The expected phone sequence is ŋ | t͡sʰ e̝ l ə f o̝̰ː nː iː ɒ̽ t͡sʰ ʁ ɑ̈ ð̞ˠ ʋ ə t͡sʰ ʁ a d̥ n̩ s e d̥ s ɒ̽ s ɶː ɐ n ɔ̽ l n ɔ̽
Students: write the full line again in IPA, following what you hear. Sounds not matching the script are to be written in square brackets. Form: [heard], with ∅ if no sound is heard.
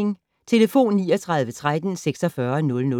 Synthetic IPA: ŋ | t͡sʰ e̝ l ə f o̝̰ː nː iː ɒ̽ t͡sʰ ʁ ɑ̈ ð̞ˠ ʋ ə t͡sʰ ʁ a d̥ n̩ s e [ɡ̥] s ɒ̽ [f] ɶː ɐ n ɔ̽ l n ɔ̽

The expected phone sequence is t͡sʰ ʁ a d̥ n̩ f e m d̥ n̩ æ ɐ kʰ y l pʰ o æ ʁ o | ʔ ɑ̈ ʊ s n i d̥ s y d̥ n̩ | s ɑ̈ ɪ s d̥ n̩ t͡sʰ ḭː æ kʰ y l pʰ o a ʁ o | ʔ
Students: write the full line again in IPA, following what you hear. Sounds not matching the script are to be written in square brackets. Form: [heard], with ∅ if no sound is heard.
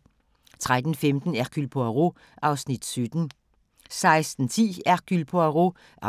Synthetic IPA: t͡sʰ ʁ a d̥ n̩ f e m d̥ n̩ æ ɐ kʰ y l pʰ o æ ʁ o | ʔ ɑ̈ ʊ s n i d̥ s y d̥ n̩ | s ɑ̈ ɪ s d̥ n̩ t͡sʰ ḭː æ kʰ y l pʰ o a ʁ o | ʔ

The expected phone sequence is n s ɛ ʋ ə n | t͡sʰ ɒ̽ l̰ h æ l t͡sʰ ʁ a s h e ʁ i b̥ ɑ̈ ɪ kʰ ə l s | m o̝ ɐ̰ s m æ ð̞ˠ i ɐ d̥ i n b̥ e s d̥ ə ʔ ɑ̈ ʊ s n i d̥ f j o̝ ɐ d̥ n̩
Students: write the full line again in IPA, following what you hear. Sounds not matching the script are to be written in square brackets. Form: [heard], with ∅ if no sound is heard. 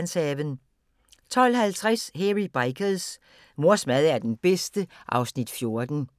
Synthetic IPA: n s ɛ ʋ ə n | t͡sʰ ɒ̽ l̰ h æ l t͡sʰ ʁ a s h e ʁ i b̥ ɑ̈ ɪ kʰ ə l s | m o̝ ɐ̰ s m æ ð̞ˠ [æ] ɐ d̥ [e] n b̥ e s d̥ ə ʔ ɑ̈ ʊ s n i d̥ f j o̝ ɐ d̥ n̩

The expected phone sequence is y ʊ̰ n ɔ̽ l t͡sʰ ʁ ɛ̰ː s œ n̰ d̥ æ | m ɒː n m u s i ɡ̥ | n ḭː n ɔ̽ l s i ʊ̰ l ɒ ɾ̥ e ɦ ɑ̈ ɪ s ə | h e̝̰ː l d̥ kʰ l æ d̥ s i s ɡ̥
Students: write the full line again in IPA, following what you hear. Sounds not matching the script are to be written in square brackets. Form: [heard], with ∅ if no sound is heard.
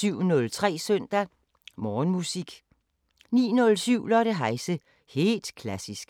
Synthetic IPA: y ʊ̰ n ɔ̽ l t͡sʰ ʁ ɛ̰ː s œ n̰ d̥ æ | m ɒː n m u s i ɡ̥ | n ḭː n ɔ̽ l s [y] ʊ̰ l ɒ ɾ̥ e ɦ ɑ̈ ɪ s ə | h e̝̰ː l d̥ kʰ l æ [∅] s i s ɡ̥

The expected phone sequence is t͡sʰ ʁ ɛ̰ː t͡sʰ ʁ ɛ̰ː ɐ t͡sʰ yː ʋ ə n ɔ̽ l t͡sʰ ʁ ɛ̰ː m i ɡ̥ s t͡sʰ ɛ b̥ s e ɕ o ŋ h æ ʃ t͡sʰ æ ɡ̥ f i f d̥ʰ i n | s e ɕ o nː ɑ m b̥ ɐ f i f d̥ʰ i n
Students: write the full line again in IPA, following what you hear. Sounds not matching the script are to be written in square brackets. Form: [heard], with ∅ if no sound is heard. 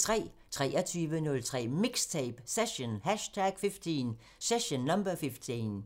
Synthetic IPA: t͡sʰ ʁ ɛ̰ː t͡sʰ ʁ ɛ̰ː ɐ t͡sʰ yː ʋ ə n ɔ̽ l t͡sʰ ʁ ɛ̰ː m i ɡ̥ s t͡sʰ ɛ b̥ s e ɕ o [n] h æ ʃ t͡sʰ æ ɡ̥ f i f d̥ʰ i n | s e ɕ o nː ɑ m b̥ ɐ f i f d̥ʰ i n

